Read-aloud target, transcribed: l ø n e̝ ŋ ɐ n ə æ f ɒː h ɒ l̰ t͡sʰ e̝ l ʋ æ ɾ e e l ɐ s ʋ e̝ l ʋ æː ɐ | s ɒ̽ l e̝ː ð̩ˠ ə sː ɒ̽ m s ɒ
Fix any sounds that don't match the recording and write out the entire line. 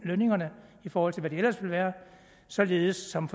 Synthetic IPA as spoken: l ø n e̝ ŋ ɐ n ə i f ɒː h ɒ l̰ t͡sʰ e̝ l ʋ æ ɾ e e l ɐ s ʋ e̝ l ʋ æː ɐ | s ɒ̽ l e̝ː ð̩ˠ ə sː ɒ̽ m f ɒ